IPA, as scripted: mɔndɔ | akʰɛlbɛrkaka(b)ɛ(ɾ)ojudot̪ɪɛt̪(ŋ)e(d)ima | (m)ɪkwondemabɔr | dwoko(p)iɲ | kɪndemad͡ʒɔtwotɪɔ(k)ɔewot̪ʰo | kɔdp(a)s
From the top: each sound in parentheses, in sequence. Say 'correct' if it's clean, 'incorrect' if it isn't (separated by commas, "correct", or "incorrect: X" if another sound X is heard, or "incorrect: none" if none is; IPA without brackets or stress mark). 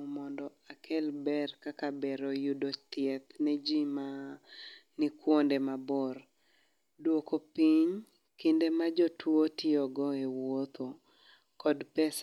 correct, correct, incorrect: n, incorrect: d͡ʒ, incorrect: n, correct, incorrect: ɡ, incorrect: ɛ